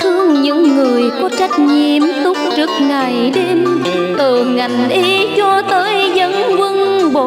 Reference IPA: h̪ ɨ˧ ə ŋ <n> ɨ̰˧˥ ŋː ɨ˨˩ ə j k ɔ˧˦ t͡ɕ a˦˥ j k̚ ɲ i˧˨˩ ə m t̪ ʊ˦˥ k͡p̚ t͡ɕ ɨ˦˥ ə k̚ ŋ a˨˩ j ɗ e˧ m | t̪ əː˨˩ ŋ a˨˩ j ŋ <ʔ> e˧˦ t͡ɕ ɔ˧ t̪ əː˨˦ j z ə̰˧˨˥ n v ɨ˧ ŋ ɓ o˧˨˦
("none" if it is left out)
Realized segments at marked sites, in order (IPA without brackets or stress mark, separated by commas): ɲ, ʔ